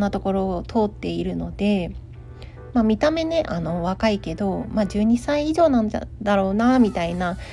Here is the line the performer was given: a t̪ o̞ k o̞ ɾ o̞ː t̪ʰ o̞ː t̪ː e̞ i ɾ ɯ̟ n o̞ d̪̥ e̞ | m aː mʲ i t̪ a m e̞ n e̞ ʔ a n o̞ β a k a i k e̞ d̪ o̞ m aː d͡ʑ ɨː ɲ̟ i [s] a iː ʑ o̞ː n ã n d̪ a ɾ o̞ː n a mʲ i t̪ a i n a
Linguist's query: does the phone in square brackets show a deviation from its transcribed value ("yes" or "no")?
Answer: no